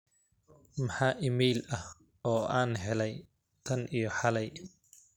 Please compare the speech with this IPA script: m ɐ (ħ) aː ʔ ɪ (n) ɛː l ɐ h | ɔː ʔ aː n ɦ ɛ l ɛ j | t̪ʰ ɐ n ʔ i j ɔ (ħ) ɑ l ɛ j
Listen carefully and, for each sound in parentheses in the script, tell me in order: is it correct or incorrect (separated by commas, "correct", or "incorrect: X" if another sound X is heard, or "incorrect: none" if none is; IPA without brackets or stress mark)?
correct, incorrect: m, correct